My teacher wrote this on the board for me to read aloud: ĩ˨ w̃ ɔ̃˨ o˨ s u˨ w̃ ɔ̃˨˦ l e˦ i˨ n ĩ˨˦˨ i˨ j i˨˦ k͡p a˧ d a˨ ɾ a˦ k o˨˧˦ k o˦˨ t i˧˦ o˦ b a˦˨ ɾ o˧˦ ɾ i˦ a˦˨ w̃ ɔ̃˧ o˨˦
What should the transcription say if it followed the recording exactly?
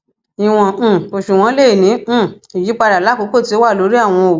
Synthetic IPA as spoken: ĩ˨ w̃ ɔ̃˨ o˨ ʃ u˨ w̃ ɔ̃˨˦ l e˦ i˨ n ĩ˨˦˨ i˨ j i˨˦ k͡p a˧ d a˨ l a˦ k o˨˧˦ k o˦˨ t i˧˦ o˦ w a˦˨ l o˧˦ ɾ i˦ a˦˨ w̃ ɔ̃˧ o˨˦